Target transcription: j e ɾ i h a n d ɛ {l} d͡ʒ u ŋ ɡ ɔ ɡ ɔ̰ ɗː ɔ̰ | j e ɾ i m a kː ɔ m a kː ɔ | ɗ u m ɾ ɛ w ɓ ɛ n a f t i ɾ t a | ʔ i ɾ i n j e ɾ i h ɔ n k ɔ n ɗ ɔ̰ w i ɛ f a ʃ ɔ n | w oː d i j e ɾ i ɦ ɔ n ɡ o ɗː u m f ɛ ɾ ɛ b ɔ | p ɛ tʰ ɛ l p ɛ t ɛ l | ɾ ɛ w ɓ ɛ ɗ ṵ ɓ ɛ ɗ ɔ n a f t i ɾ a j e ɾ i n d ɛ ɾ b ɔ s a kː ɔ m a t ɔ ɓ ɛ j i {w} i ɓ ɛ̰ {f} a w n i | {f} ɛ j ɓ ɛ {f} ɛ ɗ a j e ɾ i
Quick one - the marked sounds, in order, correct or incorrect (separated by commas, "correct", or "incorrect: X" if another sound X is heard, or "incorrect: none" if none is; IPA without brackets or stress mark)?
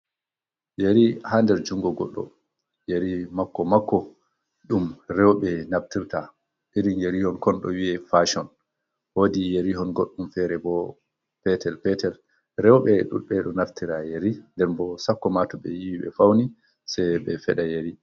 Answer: incorrect: ɾ, correct, correct, incorrect: s, correct